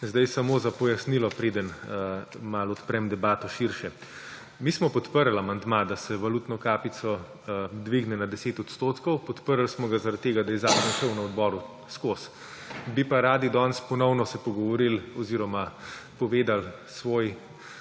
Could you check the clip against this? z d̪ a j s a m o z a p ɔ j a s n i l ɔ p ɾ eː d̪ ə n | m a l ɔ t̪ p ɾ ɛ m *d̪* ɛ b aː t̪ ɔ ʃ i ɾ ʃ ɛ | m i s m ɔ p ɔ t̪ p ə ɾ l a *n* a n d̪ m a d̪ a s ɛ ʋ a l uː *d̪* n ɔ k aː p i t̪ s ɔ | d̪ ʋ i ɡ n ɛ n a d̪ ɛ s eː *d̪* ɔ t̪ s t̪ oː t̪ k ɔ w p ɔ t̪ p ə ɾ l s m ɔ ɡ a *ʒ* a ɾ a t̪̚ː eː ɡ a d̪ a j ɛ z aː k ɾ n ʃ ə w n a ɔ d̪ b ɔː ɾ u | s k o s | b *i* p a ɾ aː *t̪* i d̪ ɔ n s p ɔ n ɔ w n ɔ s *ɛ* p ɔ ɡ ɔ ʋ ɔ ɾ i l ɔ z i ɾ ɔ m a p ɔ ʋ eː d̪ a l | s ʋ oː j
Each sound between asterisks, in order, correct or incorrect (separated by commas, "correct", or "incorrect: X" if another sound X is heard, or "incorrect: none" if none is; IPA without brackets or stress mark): correct, incorrect: m, incorrect: t̪, incorrect: t̪, incorrect: z, correct, incorrect: d̪, correct